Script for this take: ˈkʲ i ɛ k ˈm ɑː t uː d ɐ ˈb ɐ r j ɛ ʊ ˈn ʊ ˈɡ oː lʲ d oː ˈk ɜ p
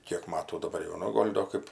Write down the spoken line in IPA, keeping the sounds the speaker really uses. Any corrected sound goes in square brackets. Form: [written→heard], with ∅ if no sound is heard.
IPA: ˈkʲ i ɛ k ˈm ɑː t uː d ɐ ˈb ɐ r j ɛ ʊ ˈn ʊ ˈɡ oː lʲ d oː ˈk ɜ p